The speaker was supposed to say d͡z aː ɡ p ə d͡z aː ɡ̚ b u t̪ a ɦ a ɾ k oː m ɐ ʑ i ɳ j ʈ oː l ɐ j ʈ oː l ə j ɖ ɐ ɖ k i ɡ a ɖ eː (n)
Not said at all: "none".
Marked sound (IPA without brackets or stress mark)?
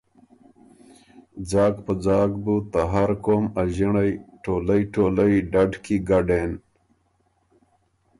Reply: n